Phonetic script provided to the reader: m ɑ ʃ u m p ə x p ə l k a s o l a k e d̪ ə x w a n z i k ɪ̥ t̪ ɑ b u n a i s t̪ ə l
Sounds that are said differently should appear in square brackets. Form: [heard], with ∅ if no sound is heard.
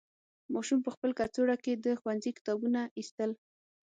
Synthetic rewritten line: m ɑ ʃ u m p ə x p ə l k a [t͡s] o [ɽ] a k e d̪ ə x w a n z i k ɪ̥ t̪ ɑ b u n a i s t̪ ə l